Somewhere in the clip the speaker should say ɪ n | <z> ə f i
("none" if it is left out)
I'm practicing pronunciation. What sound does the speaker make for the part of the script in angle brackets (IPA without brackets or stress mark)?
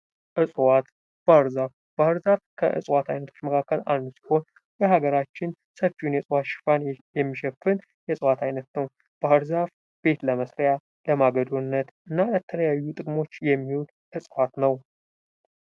s